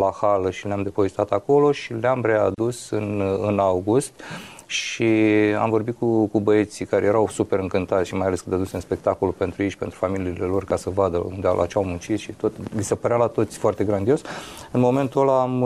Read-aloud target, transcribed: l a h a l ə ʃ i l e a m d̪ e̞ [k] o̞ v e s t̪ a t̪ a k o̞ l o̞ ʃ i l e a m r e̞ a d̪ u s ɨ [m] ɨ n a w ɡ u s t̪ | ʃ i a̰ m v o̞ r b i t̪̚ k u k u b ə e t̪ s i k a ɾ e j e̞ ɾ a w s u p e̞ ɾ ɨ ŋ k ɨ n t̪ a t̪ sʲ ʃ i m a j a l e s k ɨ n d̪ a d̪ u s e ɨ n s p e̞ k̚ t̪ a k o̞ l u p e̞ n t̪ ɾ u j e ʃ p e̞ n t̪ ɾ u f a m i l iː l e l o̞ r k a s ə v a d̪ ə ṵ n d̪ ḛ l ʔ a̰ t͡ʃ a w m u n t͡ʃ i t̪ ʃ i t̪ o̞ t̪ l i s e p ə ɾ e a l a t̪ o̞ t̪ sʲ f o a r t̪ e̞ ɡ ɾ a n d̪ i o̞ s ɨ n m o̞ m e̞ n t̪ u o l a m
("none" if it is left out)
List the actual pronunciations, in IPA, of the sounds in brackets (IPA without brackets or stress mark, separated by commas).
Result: p, n